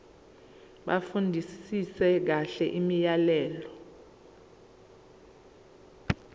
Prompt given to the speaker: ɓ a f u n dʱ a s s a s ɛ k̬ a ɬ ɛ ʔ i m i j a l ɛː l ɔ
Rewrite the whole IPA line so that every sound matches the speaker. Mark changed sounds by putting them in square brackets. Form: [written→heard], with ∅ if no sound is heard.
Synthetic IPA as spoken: ɓ a f u n dʱ [a→i] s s [a→i] s ɛ k̬ a ɬ ɛ ʔ i m i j a l ɛː l ɔ